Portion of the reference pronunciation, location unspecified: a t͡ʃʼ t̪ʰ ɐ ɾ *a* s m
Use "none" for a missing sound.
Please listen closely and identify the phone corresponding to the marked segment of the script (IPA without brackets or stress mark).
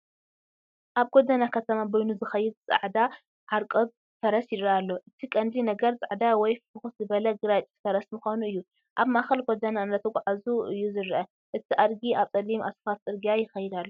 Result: ɐ